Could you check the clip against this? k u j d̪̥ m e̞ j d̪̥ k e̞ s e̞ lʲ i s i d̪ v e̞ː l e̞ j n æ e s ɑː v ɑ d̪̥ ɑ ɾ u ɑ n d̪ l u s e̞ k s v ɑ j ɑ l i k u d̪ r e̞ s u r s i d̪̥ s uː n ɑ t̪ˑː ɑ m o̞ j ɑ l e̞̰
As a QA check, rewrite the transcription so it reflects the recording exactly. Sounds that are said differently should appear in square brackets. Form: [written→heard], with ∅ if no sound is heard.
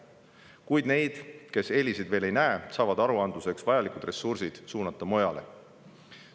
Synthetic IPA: k u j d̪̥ [m→n] e̞ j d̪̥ k e̞ s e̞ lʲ i s i d̪ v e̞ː l e̞ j n æ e s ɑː v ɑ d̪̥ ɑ ɾ u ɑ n d̪ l u s e̞ k s v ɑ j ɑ l i k u d̪ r e̞ s u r s i d̪̥ s uː n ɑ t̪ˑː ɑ m o̞ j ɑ l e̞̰

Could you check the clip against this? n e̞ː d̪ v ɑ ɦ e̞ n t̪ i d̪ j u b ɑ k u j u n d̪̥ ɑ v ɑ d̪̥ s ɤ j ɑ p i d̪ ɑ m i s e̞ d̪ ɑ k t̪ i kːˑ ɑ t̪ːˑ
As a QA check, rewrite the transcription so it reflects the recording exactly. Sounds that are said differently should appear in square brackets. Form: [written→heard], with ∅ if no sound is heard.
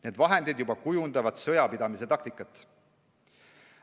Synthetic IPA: n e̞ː d̪ v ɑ ɦ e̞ n [t̪→d̪] i d̪ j u b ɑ k u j u n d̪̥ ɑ v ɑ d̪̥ s ɤ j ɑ p i d̪ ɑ m i s e̞ [d̪→t̪] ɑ k t̪ i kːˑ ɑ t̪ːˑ

